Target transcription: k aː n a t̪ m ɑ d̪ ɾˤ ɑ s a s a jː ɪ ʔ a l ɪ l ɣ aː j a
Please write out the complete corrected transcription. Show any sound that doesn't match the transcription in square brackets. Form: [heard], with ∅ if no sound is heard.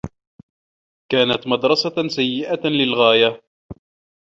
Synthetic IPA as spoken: k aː n a t̪ m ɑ d̪ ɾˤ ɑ s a s a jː ɪ ʔ a l ɪ l ɣ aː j a